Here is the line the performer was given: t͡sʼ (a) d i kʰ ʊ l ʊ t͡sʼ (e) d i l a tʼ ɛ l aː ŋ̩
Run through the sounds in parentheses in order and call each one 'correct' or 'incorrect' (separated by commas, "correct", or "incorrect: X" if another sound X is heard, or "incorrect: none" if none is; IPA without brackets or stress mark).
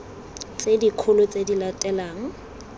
incorrect: e, correct